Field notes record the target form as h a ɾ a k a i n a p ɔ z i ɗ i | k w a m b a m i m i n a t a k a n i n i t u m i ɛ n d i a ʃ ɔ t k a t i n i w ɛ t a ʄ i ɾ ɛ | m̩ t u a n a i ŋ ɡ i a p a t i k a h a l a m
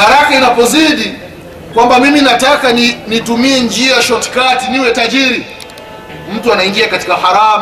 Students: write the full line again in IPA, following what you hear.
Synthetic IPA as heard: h a ɾ a k a i n a p ɔ z i ɗ i | k w a m b a m i m i n a t a k a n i n i t u m i ɛ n d͡ʒ i a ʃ ɔ t k a t i n i w ɛ t a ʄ i ɾ i | m̩ t u a n a i ŋ ɡ i a k a t i k a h a ɾ a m